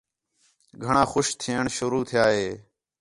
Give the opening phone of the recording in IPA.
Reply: ɡʱ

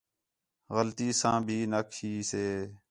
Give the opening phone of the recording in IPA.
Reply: ɣ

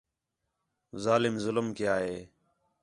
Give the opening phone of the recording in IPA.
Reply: z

